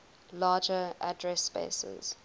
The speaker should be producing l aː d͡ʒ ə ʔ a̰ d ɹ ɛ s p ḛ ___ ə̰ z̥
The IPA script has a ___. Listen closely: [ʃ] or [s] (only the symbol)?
s